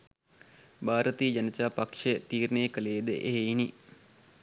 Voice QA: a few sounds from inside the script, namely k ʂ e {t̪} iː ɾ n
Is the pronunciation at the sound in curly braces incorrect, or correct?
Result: correct